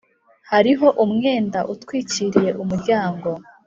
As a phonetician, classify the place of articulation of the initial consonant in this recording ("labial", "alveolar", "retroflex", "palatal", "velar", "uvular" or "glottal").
glottal